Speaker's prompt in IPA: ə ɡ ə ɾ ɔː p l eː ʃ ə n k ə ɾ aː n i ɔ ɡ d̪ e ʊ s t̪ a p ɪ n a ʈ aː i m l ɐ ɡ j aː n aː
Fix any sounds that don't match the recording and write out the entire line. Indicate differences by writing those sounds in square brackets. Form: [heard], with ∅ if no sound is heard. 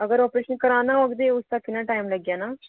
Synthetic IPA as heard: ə ɡ ə ɾ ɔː p [ɾ] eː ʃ ə n k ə ɾ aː n [a] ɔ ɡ d̪ e ʊ s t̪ a [k] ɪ n a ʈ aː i m l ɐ ɡ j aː n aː